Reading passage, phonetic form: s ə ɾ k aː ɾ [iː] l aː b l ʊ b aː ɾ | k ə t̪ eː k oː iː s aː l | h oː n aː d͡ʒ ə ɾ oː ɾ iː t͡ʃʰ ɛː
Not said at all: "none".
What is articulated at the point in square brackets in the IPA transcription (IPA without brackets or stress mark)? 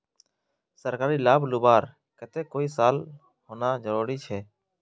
iː